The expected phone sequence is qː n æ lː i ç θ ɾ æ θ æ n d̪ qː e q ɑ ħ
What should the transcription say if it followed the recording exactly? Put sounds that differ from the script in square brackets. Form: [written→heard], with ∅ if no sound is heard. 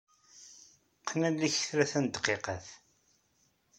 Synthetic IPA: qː n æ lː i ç θ ɾ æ θ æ n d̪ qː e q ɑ [ħ→θ]

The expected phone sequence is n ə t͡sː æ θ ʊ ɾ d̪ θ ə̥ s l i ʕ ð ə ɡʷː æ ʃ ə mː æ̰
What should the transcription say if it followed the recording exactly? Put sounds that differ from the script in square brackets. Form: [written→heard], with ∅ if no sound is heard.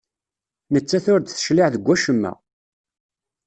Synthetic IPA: n ə t͡sː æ θ ʊ ɾ d̪ θ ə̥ [s→ʃ] l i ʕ ð ə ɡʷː æ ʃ ə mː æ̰

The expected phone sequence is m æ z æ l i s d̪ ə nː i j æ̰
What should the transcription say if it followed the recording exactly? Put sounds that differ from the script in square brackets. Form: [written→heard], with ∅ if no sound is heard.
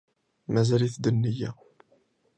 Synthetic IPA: m æ z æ l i [s→θ] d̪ ə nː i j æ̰

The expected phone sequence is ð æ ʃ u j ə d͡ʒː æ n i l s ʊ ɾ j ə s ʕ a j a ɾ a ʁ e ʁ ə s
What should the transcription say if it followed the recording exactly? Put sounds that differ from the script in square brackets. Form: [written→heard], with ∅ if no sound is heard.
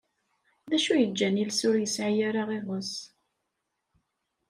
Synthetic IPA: ð æ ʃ u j ə d͡ʒː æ n i l s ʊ ɾ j ə s ʕ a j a ɾ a ʁ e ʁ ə s

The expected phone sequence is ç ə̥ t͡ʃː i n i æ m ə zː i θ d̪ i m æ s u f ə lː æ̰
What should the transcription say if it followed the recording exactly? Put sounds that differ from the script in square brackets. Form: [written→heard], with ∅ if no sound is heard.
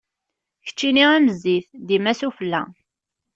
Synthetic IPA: ç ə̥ t͡ʃː i n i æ m ə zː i θ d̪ i m æ s u f ə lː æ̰

